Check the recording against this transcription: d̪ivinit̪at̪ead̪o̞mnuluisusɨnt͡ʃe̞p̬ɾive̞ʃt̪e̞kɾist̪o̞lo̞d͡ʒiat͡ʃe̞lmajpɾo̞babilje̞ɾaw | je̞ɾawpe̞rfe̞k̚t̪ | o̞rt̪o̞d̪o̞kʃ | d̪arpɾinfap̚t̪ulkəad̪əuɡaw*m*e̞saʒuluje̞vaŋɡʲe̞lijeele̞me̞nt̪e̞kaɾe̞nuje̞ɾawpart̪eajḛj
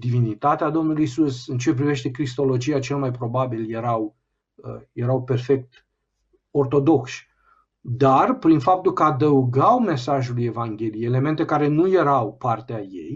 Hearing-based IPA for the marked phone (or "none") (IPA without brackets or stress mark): m